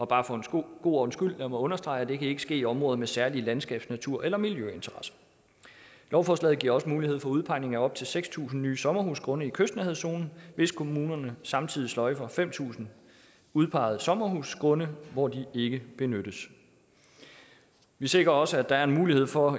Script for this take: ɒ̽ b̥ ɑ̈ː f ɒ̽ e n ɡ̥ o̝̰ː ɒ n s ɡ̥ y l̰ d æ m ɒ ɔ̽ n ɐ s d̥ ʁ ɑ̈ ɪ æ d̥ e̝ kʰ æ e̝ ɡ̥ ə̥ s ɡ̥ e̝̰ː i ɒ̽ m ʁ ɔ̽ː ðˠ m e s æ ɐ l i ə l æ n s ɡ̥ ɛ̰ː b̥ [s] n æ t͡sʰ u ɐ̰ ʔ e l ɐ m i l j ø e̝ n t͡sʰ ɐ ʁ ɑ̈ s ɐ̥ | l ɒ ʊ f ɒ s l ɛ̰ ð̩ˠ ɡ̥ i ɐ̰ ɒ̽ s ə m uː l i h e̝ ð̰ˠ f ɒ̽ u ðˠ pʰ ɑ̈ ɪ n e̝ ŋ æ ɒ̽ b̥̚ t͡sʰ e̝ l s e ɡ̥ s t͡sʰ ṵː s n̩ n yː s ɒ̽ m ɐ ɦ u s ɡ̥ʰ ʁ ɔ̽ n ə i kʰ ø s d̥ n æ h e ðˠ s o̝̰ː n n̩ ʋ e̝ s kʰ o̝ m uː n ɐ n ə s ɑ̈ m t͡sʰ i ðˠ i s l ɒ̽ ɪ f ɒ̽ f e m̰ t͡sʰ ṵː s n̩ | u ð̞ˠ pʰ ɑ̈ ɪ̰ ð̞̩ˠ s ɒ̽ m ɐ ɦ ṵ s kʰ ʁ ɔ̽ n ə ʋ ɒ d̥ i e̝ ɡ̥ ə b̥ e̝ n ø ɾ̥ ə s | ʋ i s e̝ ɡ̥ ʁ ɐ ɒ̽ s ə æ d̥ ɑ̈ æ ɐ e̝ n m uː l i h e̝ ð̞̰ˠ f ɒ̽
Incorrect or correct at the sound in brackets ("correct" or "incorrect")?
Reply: correct